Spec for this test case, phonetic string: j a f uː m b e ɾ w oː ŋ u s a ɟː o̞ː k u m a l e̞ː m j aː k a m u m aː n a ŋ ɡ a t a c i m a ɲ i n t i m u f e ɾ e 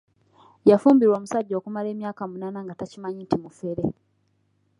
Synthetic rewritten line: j a f uː m b i ɾ w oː m u s a ɟː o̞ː k u m a l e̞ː m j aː k a m u n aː n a ŋ ɡ a t a c i m a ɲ i n t i m u f e ɾ e